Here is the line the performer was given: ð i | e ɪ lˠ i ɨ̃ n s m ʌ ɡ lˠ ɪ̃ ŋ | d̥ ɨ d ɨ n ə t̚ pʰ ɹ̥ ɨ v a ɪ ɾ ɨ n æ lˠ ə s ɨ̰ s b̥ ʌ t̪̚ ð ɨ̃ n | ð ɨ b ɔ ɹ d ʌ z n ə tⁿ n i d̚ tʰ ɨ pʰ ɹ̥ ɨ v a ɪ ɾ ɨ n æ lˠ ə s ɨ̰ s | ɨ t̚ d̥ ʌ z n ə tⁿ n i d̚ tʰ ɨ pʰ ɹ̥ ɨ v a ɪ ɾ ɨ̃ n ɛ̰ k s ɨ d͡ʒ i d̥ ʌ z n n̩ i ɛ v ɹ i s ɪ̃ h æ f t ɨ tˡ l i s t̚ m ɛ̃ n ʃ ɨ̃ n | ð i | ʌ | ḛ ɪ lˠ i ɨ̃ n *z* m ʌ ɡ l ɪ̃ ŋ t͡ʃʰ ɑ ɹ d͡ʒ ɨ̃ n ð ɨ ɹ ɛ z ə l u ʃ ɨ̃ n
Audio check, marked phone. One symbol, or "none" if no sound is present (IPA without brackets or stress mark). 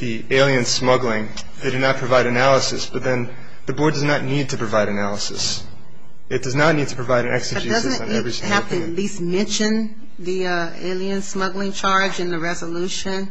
s